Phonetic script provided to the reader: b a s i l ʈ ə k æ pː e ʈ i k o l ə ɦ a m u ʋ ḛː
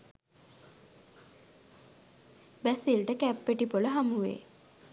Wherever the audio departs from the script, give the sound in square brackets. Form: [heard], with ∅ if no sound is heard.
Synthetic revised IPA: b [æ] s i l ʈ ə k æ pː e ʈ i [p] o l ə ɦ a m u ʋ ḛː